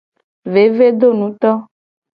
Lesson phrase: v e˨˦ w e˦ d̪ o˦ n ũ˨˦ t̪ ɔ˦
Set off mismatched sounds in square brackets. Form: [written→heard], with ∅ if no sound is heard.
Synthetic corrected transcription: v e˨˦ [w→v] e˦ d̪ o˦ n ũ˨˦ t̪ ɔ˦